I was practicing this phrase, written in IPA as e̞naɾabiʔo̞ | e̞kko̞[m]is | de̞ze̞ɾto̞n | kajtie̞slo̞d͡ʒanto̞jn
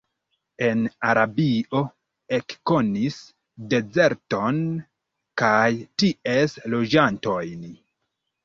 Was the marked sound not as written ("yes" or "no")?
yes